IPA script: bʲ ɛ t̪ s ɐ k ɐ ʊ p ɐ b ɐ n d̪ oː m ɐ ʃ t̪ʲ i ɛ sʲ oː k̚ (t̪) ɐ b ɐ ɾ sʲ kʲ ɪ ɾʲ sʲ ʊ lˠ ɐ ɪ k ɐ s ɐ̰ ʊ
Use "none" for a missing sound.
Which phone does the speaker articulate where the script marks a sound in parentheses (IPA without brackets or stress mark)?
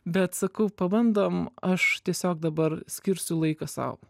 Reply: d̪